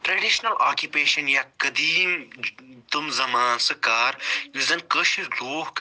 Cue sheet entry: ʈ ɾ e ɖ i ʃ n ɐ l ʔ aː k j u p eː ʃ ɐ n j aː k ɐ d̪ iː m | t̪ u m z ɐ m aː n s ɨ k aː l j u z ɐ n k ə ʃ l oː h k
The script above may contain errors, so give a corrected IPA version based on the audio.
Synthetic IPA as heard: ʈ ɾ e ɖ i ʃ n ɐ l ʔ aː k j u p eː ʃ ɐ n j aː k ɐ d̪ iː m | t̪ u m z ɐ m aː n s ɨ k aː ɾ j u z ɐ n k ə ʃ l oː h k